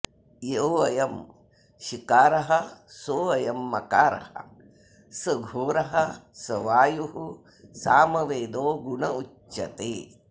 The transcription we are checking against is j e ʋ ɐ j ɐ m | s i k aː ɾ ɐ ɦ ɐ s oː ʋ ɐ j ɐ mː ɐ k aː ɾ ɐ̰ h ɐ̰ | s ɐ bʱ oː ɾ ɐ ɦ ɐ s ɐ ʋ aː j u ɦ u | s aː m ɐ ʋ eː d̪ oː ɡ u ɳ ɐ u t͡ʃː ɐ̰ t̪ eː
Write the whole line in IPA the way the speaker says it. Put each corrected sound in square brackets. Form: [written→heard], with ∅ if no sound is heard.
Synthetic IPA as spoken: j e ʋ ɐ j ɐ m | [s→ʃ] i k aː ɾ ɐ ɦ ɐ s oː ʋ ɐ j ɐ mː ɐ k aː ɾ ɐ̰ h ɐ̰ | s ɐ [bʱ→ɡʱ] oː ɾ ɐ ɦ ɐ s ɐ ʋ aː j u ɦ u | s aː m ɐ ʋ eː d̪ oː ɡ u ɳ ɐ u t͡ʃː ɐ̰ t̪ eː